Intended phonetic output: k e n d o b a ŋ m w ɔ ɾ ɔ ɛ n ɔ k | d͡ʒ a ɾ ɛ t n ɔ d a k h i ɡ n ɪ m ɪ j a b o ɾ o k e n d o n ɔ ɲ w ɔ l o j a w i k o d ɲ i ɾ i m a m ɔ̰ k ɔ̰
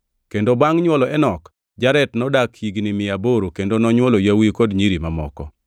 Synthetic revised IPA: k e n d o b a ŋ ɲ w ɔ l ɔ ɛ n ɔ k | d͡ʒ a ɾ ɛ t n ɔ d a k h i ɡ n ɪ m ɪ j a b o ɾ o k e n d o n ɔ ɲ w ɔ l o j a w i k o d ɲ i ɾ i m a m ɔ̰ k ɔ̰